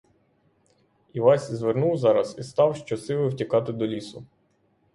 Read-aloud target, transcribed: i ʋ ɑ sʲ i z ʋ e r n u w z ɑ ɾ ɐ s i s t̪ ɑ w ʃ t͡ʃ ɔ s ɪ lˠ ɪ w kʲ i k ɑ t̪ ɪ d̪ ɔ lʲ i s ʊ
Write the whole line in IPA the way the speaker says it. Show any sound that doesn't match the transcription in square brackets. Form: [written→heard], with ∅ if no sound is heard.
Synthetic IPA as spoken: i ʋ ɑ sʲ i z ʋ e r n u w z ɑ ɾ ɐ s i s t̪ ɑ w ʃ t͡ʃ ɔ s ɪ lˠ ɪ w [kʲ→tʲ] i k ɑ t̪ ɪ d̪ ɔ lʲ i s ʊ